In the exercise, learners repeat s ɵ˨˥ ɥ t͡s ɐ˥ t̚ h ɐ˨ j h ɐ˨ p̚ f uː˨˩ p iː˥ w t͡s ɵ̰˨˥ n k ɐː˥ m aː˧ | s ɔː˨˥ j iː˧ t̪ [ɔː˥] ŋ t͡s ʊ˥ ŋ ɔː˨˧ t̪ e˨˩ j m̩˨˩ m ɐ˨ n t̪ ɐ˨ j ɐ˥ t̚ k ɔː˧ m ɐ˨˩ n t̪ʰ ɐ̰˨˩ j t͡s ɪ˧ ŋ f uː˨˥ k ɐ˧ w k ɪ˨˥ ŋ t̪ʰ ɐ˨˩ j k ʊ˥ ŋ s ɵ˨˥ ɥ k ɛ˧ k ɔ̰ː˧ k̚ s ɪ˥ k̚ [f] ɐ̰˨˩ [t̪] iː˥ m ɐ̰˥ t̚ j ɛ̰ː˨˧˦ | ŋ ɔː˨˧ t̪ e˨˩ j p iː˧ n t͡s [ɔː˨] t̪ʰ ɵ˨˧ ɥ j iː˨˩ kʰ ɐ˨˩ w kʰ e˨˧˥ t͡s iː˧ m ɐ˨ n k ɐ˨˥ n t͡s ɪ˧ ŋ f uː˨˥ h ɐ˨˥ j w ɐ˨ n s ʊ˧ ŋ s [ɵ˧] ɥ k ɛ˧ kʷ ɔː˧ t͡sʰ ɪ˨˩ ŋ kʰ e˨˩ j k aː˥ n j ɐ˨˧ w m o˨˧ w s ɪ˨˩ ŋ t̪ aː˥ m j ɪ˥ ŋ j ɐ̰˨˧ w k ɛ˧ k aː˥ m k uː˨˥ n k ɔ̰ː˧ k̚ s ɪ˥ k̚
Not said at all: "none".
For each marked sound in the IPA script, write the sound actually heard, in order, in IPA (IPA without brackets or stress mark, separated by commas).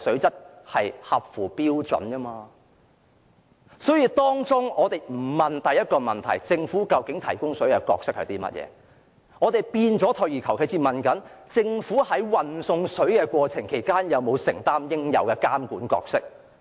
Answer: ɔː˥, h, t̪, ɔː˨˥, ɵ˨˥